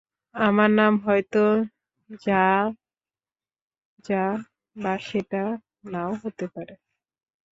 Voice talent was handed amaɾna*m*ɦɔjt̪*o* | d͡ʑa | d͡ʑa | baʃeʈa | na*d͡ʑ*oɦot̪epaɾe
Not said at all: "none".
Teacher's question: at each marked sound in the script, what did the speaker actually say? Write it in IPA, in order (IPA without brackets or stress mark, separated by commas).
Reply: m, o, none